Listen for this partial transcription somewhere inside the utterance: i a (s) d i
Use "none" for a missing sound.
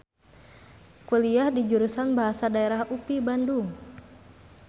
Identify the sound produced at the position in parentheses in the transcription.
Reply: h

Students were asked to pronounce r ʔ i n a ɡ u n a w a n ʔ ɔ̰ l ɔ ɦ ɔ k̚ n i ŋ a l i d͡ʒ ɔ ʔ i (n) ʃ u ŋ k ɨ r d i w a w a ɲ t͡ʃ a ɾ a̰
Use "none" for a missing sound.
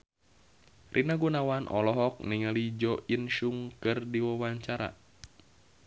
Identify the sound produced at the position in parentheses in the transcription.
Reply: n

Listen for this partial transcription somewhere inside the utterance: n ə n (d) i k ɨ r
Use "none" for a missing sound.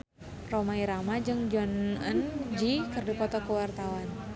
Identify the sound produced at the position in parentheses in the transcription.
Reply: d͡ʒ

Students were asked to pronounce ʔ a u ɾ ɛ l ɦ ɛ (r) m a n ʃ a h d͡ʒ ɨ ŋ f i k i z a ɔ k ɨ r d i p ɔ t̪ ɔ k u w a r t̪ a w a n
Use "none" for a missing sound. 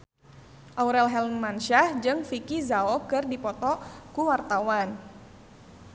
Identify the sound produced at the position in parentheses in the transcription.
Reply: l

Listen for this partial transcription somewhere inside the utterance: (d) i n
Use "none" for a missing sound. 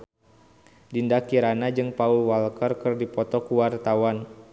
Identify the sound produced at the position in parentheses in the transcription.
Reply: d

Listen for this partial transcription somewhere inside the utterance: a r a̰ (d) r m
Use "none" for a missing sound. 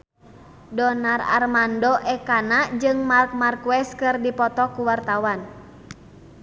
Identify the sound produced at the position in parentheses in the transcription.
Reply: none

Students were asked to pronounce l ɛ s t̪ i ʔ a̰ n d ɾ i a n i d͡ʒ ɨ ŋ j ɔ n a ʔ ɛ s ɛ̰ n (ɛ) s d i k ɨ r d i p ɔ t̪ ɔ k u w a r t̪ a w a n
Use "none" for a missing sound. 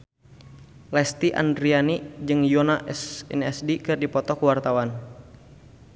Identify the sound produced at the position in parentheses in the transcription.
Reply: ɛ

